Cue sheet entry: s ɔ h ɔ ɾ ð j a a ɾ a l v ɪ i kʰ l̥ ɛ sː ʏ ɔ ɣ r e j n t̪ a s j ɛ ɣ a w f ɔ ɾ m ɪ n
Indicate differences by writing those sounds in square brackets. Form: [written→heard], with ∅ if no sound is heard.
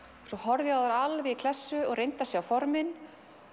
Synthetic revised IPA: s ɔ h ɔ ɾ ð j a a ɾ a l v ɪ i kʰ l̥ ɛ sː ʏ ɔ ɣ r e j n t̪ a s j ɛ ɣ a w f ɔ ɾ m ɪ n